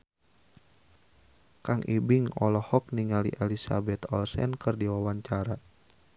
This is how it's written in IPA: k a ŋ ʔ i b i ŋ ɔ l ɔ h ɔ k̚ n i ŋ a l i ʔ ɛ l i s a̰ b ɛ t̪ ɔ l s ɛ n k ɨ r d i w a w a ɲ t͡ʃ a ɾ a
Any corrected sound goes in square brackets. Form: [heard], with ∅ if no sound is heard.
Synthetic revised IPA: k a ŋ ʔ i b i ŋ ɔ l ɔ h ɔ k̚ n i ŋ a l i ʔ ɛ l i s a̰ b ɛ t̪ ɔ l s ɛ n k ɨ r d i w a w a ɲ t͡ʃ a ɾ a